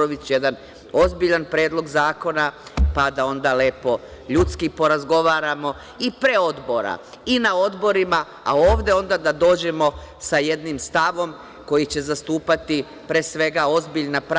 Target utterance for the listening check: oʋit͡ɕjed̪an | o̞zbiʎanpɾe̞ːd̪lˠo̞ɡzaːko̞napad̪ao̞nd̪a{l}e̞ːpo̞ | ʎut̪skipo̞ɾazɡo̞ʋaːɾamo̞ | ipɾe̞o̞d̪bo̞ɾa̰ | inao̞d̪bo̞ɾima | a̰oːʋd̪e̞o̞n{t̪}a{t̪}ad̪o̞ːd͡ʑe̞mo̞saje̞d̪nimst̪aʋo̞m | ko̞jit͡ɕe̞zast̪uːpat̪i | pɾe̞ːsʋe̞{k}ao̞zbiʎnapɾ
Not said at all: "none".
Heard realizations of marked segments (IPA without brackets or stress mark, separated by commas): l, d̪, d̪, ɡ